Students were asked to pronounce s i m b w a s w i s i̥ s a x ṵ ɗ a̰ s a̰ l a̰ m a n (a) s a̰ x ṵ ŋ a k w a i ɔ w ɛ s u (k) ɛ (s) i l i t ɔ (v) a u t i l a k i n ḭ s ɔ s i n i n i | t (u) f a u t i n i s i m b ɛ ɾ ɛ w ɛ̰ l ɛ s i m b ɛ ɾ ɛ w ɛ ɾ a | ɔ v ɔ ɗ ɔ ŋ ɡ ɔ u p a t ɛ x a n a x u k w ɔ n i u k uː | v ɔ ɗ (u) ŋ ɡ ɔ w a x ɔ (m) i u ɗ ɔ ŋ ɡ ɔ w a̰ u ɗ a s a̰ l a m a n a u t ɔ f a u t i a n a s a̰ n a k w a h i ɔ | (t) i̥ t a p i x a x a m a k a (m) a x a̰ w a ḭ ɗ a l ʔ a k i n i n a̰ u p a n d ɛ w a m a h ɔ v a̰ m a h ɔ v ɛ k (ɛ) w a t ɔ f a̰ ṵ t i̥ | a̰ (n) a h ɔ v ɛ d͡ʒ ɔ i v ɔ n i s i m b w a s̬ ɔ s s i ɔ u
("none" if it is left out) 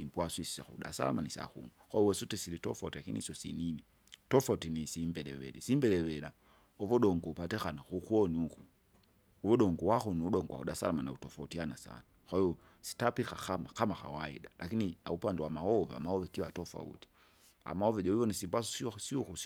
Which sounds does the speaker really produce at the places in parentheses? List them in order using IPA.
i, t, s, f, ɔ, ɔ, n, s, m, i, m

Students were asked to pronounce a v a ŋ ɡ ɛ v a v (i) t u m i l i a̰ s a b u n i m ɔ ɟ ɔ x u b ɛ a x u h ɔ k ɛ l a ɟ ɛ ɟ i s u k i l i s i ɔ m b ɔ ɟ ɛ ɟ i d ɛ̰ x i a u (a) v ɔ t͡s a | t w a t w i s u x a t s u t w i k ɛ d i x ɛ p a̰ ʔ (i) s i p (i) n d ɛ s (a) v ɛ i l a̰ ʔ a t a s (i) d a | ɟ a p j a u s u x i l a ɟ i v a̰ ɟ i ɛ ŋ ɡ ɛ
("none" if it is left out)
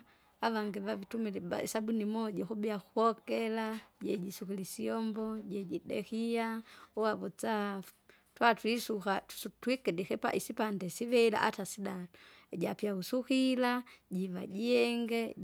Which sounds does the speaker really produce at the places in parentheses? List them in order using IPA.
i, a, i, a, i, i

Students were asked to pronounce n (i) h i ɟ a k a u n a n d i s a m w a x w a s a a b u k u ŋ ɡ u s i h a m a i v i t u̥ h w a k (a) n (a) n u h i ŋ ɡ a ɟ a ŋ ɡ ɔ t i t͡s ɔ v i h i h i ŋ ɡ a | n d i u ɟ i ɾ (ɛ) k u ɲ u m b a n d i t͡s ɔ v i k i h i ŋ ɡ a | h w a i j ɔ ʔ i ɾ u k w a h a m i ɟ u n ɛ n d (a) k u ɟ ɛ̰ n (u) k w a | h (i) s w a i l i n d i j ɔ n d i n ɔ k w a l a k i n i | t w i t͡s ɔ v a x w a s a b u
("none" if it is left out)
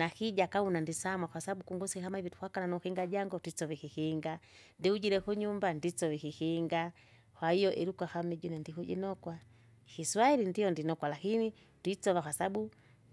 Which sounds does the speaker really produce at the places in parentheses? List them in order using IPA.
a, a, a, ɛ, i, ɔ, i

